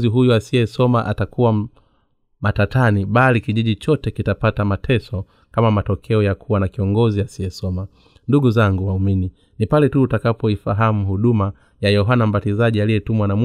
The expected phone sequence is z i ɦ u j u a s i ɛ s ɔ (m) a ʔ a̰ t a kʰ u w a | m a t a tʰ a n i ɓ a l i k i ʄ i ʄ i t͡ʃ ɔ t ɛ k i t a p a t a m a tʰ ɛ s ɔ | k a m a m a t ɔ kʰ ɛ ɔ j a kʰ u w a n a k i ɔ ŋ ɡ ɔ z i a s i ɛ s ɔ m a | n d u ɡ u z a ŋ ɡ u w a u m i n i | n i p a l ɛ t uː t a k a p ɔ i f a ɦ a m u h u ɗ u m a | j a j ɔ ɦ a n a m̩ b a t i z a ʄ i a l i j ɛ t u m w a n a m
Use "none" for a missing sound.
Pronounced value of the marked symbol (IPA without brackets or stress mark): m